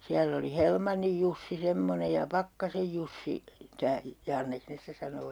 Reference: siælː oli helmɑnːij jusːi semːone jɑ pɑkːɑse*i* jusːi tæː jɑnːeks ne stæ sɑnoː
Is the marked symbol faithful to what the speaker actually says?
no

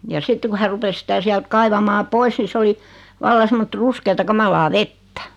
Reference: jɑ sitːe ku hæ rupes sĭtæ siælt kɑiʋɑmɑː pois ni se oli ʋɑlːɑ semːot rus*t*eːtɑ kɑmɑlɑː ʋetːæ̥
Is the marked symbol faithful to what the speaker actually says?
no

